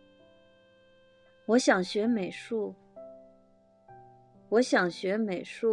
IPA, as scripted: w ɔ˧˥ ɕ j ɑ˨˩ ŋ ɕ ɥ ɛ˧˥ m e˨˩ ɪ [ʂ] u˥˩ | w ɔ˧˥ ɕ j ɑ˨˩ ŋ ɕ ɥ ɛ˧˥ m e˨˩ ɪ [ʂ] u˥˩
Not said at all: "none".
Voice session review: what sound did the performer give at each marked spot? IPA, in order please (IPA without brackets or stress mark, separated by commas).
ʂ, ʂ